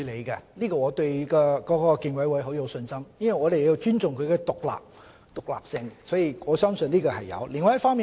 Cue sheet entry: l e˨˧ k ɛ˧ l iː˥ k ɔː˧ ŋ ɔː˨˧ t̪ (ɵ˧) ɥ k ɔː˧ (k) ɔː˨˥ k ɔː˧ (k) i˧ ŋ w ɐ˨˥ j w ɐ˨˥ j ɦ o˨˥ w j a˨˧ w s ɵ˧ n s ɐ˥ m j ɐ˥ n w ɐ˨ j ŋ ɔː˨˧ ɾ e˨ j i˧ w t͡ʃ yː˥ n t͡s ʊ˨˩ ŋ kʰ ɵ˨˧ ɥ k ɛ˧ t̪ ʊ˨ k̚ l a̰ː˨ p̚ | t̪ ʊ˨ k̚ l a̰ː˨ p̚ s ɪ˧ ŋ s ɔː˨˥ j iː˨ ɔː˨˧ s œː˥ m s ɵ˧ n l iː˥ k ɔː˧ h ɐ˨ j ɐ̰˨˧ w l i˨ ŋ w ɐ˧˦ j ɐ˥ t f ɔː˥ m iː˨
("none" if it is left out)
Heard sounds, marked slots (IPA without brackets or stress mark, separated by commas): ɵ˧, k, k